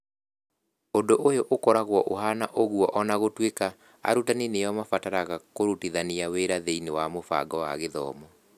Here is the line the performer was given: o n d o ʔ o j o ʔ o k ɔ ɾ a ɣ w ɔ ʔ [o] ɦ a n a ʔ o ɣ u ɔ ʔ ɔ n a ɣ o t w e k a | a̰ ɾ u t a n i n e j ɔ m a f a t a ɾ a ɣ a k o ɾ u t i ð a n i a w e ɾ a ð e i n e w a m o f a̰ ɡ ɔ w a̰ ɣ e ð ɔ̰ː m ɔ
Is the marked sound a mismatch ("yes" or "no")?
no